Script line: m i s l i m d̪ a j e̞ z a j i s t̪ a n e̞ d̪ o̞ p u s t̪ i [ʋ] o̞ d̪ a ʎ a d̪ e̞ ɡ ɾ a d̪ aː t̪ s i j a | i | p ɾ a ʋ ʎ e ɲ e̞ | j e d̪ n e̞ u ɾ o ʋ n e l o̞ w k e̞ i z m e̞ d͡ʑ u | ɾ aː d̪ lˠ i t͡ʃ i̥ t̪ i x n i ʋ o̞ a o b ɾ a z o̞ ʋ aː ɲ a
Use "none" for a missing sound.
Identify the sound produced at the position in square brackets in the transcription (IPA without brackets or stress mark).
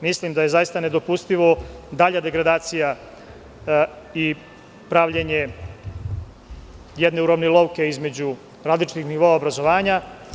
ʋ